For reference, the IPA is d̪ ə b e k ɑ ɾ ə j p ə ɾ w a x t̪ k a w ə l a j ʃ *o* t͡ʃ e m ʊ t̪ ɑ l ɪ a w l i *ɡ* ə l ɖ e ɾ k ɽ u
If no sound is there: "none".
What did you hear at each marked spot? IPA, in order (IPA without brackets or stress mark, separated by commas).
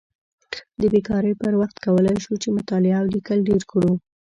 u, k